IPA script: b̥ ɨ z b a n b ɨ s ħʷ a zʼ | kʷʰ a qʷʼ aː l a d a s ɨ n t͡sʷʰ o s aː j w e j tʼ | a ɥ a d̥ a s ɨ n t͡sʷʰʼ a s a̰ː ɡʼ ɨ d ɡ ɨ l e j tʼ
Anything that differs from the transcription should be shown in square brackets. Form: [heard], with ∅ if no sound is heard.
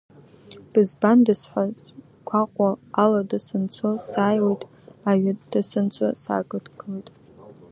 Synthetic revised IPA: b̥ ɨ z b a n [d] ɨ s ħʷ a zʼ | kʷʰ a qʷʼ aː l a d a s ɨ n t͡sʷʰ o s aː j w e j tʼ | a ɥ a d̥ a s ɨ n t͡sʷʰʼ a s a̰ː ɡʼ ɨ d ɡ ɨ l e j tʼ